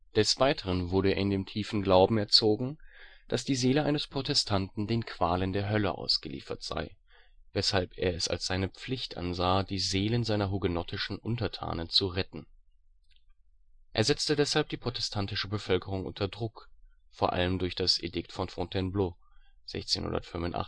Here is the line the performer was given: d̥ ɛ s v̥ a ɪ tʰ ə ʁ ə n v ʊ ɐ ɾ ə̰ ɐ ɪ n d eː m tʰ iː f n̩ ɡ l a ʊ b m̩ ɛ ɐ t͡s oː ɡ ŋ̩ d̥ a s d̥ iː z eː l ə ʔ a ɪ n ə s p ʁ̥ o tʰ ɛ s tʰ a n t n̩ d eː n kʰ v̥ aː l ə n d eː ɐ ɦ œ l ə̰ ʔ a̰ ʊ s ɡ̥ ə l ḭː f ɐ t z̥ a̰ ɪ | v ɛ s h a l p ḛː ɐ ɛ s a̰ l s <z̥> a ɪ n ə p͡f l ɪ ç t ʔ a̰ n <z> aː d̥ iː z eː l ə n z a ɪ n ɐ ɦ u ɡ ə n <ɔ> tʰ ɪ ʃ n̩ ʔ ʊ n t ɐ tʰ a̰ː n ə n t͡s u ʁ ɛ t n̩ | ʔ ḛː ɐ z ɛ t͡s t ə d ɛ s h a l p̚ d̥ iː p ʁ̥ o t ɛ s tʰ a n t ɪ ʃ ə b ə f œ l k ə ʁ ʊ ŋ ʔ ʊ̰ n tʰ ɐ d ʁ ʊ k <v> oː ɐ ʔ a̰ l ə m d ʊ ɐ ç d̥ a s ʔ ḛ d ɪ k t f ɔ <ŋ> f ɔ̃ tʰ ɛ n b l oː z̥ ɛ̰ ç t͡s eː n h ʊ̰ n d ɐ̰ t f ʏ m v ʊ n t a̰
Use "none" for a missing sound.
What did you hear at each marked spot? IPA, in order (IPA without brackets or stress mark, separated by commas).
z̥, z, ɔ, f, n